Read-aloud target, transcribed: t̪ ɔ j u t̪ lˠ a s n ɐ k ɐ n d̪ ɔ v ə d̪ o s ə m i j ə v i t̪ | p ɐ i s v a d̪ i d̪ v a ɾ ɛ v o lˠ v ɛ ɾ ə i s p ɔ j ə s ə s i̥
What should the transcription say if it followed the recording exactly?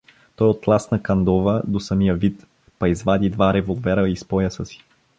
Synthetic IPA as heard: t̪ ɔ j o t̪ lˠ a s n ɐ k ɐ n d̪ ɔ v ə d̪ o s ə m i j ə v i t̪ | p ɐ i z v a d̪ i d̪ v a ɾ ɛ v o lˠ v ɛ ɾ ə i s p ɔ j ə s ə s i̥